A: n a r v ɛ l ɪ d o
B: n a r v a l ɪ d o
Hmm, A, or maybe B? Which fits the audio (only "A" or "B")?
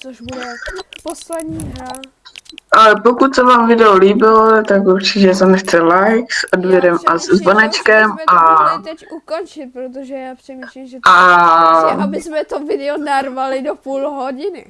B